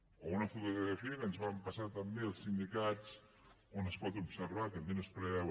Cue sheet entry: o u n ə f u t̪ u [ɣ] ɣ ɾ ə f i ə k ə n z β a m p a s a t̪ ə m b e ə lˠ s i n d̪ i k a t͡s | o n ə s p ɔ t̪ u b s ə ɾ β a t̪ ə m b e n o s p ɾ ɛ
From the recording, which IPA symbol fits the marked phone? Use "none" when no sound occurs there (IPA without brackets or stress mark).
ɣ